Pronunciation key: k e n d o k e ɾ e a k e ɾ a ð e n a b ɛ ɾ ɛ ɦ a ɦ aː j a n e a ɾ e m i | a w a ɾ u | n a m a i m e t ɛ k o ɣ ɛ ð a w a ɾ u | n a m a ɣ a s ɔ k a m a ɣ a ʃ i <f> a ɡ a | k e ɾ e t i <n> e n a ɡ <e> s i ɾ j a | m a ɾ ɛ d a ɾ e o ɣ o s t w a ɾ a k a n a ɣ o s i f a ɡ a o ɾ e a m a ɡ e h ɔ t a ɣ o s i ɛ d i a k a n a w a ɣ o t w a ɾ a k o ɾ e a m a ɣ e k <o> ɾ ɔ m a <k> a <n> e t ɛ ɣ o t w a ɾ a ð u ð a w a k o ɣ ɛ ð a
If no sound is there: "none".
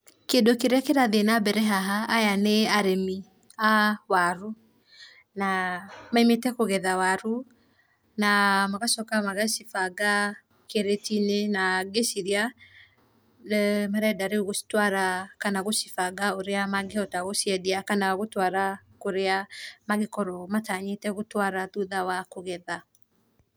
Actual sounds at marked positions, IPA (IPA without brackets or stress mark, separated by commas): f, n, e, ɔ, t, ɲ